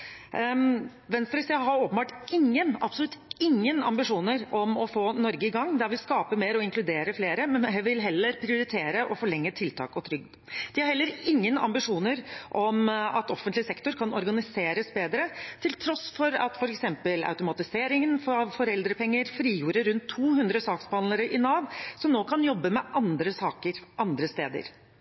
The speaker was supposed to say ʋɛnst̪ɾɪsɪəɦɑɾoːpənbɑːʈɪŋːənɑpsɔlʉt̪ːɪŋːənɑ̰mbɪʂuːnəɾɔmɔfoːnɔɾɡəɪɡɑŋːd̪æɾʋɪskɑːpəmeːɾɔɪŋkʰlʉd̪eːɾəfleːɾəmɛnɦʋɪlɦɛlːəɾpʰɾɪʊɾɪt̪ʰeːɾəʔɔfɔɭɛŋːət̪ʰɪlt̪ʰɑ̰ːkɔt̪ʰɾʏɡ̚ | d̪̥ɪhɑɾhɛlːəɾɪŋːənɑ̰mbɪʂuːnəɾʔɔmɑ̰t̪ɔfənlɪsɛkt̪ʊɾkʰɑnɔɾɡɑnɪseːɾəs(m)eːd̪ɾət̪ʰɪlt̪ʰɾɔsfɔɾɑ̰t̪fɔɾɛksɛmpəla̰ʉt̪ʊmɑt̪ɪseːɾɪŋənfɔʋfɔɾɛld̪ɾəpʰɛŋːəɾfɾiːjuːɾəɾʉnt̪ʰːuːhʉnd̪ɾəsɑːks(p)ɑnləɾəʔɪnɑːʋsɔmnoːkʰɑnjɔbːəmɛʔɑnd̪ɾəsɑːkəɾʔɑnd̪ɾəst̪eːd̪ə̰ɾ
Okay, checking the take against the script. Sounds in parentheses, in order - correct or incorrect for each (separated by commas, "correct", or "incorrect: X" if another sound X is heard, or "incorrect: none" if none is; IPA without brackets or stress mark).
incorrect: b, incorrect: b